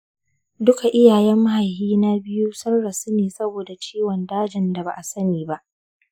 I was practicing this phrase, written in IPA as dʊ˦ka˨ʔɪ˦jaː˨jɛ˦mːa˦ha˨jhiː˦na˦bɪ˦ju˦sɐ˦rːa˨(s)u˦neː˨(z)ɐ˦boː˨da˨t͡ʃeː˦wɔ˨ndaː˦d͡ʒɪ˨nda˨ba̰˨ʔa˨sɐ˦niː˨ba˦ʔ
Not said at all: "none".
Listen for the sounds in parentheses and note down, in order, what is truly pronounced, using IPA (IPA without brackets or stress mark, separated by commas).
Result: s, s